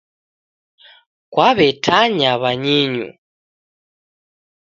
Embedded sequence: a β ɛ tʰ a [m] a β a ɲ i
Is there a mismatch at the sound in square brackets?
yes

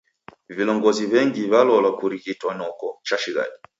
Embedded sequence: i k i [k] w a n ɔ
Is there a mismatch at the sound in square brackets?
yes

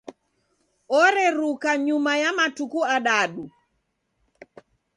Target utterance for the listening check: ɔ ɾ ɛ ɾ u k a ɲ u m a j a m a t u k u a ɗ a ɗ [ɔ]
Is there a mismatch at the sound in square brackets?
yes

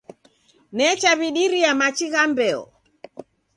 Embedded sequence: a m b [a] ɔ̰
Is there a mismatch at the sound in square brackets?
yes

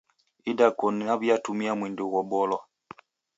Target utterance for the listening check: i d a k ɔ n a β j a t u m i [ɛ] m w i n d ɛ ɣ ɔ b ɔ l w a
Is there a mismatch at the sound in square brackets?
yes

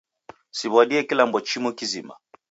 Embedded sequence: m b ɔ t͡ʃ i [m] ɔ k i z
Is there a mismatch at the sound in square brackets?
no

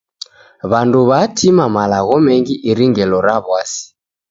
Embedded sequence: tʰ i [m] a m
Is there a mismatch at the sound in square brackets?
no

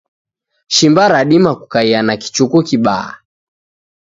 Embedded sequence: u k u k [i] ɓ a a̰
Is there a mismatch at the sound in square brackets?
no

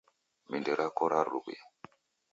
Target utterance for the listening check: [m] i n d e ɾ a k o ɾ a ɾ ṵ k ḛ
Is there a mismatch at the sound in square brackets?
no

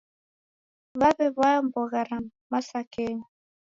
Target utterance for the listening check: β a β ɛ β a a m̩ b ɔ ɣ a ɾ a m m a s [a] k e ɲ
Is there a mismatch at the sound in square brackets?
no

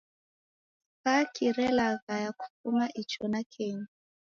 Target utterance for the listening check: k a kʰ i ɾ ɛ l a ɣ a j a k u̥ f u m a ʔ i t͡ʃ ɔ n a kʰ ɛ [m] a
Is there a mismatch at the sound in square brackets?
yes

